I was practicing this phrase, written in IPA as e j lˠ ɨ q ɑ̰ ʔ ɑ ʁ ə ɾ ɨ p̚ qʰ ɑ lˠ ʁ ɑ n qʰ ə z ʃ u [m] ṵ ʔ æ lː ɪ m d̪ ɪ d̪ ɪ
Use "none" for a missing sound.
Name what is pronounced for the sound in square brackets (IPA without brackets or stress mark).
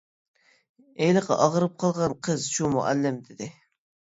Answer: m